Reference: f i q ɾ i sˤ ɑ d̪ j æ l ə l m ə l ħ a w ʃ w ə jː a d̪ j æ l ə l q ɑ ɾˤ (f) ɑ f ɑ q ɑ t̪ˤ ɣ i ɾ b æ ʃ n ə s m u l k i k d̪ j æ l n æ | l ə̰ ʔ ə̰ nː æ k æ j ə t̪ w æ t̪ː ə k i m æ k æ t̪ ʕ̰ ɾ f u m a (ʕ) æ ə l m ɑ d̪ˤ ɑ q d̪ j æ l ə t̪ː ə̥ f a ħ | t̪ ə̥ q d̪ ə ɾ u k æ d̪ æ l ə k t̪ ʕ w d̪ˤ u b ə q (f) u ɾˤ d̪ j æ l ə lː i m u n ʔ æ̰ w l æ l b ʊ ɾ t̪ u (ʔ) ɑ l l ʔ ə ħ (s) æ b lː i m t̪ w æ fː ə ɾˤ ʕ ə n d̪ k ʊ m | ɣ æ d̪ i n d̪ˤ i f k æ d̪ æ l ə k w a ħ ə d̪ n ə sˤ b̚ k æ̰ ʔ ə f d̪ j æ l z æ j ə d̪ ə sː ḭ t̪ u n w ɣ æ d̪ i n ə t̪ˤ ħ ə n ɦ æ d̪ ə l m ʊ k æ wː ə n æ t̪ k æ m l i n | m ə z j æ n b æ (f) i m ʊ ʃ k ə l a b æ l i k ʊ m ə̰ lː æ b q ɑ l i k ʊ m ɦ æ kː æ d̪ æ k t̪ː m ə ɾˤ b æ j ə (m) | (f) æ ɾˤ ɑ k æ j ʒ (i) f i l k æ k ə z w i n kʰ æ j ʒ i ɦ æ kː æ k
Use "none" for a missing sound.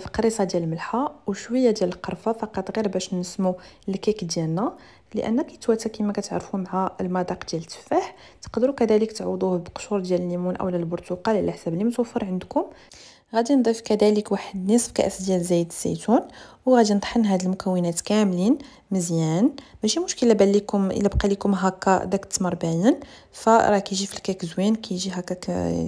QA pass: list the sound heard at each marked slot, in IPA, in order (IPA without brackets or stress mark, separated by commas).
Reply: f, ʕ, ʃ, q, s, ʃ, n, f, i